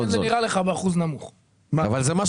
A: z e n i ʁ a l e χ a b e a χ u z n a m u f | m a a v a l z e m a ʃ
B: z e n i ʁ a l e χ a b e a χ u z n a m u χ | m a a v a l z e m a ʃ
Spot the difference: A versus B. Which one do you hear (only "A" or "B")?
B